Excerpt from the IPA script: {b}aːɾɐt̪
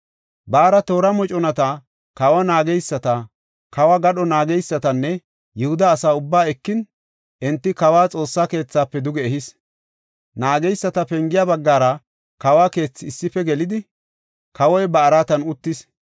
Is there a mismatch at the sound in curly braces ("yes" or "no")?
no